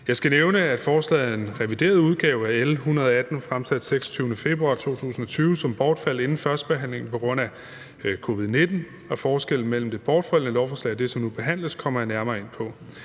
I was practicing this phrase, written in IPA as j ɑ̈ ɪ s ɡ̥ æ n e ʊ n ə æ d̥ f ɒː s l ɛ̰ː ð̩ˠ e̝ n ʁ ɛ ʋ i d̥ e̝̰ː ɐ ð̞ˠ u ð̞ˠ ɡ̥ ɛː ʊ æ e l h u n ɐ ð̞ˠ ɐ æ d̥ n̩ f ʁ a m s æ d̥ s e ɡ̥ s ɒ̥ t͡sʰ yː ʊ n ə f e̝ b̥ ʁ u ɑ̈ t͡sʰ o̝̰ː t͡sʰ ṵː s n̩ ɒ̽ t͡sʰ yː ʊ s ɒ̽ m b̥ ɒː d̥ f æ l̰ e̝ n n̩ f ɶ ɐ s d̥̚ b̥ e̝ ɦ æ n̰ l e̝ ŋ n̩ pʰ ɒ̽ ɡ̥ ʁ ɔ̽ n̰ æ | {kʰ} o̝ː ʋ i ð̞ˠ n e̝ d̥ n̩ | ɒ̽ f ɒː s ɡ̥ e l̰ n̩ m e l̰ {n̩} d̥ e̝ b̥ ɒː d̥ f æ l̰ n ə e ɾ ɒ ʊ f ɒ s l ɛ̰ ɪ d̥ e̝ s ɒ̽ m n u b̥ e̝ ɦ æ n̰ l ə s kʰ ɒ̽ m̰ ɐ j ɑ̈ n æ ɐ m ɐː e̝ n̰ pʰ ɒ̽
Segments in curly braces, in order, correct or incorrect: correct, incorrect: m̩

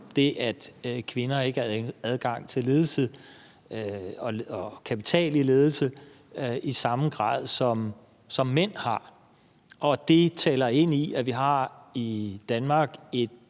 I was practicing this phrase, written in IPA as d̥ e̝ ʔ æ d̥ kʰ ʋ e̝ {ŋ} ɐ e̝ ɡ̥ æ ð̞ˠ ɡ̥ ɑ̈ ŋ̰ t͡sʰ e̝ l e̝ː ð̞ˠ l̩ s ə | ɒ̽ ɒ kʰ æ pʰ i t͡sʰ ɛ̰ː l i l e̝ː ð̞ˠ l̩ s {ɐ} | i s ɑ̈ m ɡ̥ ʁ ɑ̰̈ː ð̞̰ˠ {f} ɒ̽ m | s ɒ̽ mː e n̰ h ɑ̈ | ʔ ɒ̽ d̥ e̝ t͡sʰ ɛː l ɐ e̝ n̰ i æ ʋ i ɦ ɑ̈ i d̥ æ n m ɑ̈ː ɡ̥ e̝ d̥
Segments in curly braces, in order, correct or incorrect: incorrect: n, incorrect: ə, incorrect: s

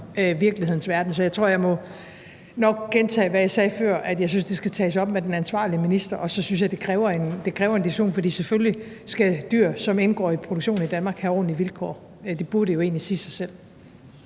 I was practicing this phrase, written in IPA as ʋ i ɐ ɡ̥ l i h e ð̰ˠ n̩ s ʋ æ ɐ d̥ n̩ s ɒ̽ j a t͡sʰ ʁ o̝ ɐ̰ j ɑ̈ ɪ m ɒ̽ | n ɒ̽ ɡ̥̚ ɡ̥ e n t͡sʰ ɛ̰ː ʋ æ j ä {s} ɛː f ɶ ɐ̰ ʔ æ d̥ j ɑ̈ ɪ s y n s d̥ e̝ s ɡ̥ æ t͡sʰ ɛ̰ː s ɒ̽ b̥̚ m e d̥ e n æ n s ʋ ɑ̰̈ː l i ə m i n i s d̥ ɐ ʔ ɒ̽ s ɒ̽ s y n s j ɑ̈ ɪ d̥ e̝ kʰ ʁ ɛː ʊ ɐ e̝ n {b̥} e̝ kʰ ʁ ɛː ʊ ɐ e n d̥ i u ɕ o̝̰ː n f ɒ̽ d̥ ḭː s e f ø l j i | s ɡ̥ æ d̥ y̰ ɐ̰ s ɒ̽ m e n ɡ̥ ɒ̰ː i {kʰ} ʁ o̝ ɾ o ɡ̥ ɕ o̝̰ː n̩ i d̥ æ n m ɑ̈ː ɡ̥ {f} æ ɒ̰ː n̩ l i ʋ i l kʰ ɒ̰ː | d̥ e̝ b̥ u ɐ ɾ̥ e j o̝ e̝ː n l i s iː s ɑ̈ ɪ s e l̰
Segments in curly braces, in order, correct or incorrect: correct, incorrect: d̥, incorrect: pʰ, incorrect: h

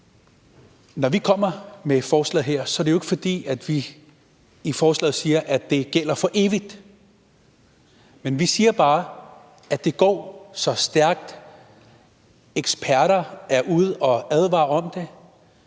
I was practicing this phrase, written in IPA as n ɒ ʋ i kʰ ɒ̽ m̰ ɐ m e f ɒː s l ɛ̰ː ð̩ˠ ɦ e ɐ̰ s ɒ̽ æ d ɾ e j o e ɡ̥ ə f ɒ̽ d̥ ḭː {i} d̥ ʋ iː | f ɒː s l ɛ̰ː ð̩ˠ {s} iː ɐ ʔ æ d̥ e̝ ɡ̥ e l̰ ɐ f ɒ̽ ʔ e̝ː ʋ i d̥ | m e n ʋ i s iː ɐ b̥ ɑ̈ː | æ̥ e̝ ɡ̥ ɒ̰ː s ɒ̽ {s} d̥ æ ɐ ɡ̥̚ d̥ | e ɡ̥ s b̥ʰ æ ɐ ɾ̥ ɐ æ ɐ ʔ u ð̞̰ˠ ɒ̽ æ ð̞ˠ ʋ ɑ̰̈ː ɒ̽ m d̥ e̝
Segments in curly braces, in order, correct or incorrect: incorrect: æ, correct, correct

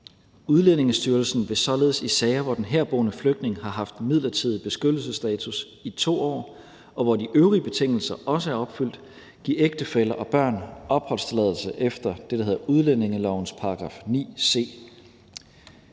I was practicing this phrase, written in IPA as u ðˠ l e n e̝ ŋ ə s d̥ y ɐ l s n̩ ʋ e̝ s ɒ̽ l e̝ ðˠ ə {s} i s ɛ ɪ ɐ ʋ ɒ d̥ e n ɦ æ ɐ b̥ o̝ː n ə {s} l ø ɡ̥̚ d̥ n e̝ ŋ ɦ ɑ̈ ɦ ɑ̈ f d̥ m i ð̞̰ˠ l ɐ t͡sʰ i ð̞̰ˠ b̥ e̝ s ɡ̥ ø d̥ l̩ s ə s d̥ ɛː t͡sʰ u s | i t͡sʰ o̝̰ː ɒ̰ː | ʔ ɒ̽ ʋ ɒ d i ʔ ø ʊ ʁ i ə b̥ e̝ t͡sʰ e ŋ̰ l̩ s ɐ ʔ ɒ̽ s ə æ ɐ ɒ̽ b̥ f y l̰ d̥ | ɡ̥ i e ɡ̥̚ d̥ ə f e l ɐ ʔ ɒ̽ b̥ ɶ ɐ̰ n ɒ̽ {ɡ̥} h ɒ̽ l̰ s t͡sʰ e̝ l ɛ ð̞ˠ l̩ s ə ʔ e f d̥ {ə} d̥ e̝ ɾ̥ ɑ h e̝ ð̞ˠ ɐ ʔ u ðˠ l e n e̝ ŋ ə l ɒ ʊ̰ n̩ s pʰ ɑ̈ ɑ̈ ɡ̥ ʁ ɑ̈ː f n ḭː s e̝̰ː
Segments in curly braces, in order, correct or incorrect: correct, incorrect: f, incorrect: b̥, incorrect: ɐ

